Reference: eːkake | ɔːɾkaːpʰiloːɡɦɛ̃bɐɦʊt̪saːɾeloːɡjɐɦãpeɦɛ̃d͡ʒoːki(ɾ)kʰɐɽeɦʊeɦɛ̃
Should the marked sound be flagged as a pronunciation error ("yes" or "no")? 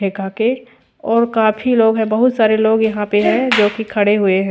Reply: yes